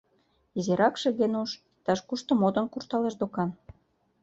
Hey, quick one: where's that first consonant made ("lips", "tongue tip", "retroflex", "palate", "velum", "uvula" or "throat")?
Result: tongue tip